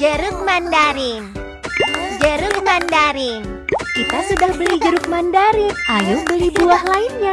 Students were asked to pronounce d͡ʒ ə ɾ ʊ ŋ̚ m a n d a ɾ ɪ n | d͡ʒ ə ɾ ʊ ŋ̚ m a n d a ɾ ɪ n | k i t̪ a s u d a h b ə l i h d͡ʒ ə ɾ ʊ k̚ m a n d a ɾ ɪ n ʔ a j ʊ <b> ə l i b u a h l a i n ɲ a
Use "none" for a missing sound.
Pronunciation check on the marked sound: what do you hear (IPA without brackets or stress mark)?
b